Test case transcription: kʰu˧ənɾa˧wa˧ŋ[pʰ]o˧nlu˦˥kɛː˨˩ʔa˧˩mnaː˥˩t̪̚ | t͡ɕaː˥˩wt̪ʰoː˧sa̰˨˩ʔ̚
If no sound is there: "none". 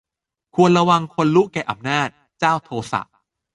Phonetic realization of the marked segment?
kʰ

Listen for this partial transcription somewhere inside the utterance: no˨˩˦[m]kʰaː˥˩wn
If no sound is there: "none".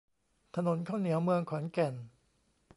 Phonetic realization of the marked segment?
n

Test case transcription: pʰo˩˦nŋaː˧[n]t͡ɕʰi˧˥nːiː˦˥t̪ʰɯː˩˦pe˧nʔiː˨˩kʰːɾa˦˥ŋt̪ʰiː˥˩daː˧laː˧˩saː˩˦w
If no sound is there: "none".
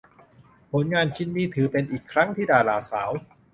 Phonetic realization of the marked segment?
n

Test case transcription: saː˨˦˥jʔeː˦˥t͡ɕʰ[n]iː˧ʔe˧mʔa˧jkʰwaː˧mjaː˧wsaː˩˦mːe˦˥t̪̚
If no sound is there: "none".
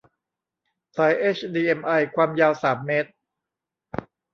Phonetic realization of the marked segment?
d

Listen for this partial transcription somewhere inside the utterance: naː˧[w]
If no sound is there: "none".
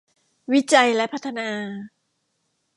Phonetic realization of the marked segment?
none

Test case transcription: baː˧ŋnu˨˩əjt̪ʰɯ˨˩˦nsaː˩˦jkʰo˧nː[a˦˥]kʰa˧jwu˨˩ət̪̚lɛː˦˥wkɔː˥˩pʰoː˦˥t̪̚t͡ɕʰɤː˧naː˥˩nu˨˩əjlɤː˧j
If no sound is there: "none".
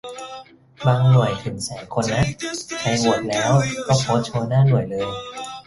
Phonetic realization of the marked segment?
a˦˥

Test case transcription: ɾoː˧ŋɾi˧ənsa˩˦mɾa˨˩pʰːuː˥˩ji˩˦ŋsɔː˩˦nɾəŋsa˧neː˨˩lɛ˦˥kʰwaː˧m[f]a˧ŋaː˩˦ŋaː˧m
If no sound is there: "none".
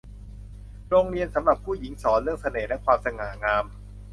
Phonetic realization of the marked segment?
s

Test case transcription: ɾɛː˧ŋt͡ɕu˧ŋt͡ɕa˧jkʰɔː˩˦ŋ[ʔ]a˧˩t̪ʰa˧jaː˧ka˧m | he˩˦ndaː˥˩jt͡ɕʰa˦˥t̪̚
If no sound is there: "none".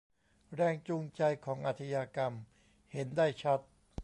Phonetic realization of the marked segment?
ʔ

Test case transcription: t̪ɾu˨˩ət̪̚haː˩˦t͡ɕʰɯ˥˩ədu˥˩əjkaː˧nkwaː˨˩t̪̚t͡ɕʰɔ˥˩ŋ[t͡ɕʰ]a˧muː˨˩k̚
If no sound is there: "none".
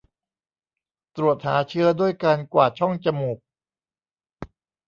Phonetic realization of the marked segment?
t͡ɕ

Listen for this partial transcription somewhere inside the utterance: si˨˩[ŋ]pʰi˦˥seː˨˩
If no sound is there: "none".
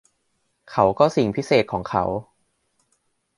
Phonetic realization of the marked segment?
ŋ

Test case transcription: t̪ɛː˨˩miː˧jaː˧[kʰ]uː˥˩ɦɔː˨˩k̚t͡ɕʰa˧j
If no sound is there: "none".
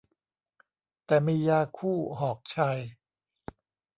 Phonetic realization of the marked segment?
kʰ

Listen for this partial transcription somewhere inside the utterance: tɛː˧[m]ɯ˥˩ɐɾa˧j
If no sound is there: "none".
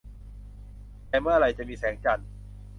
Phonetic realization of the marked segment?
m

